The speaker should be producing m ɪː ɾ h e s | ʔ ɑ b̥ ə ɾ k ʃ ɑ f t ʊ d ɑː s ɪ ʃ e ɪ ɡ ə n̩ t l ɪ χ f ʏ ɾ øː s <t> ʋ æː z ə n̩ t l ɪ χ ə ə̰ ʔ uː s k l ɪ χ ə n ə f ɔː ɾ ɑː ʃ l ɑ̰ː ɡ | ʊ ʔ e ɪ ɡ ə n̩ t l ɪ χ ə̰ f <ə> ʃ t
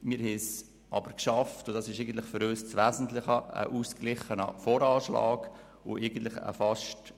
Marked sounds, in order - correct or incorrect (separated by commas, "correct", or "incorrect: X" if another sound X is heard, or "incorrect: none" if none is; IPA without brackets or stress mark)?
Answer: incorrect: t͡s, incorrect: ɑ